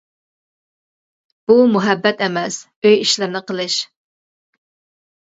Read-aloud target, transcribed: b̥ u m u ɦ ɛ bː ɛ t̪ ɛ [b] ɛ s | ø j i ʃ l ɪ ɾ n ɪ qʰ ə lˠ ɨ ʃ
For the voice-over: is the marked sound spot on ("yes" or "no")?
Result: no